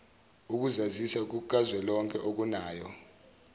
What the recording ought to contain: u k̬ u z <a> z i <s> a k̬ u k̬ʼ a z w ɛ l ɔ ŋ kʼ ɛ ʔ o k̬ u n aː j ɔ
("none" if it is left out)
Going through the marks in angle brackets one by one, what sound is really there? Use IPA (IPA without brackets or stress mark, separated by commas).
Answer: a, s